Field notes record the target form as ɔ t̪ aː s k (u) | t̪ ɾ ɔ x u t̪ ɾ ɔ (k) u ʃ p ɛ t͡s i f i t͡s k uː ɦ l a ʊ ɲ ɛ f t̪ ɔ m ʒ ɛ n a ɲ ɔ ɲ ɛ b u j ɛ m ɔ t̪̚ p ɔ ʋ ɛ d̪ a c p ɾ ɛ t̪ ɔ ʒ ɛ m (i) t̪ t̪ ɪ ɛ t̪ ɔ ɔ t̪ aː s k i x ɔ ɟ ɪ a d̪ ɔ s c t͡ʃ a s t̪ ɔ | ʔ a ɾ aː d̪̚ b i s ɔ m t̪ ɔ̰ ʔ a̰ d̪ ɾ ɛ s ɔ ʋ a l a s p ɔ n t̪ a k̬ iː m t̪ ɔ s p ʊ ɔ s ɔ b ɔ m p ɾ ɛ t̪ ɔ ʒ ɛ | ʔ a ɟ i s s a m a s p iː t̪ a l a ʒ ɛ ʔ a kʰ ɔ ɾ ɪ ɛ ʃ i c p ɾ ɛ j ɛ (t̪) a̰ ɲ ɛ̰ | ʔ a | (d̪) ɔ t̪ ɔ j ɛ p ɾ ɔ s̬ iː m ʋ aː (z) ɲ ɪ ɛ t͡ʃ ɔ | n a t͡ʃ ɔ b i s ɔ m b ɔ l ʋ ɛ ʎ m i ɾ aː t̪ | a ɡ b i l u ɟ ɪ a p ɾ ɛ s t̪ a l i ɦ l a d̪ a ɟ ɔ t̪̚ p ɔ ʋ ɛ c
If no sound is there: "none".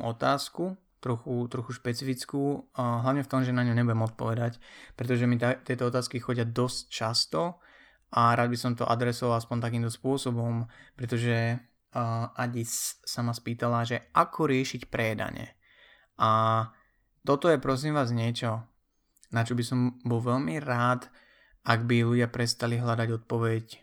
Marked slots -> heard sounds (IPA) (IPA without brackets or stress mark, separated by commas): u, x, i, d̪, t̪, z